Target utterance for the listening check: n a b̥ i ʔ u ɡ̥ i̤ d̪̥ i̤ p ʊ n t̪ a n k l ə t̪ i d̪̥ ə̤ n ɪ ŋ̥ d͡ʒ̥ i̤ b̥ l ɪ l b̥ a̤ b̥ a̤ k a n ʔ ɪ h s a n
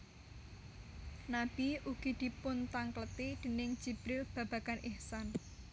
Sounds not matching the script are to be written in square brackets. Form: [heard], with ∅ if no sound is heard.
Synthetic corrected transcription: n a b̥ i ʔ u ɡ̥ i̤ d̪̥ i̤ p ʊ n t̪ a [ŋ] k l ə t̪ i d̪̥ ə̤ n ɪ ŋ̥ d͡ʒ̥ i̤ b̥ [ɾ] ɪ l b̥ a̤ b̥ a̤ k a n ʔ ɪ h s a n